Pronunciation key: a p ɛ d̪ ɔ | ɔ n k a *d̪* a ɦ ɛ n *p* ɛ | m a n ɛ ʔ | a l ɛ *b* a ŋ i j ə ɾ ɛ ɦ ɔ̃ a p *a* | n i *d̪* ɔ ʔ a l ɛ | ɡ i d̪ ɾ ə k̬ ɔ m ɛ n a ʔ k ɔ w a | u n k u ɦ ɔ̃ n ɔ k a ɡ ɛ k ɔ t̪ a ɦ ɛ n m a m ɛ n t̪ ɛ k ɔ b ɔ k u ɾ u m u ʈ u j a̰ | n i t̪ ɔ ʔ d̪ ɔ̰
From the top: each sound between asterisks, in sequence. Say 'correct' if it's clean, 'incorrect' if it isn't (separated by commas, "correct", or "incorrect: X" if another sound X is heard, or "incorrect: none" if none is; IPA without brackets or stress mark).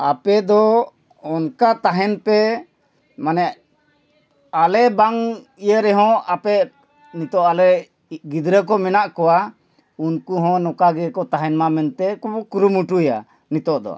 incorrect: t̪, correct, correct, incorrect: ɛ, incorrect: t̪